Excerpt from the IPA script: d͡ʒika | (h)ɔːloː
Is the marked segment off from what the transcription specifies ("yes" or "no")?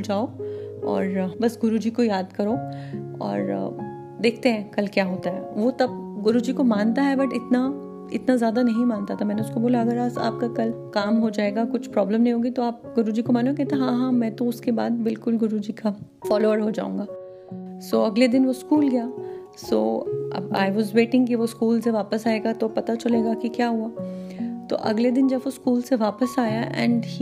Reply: yes